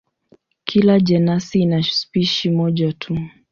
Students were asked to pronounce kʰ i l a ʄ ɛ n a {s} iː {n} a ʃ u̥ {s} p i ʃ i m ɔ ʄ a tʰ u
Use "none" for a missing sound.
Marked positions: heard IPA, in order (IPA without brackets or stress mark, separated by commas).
s, n, s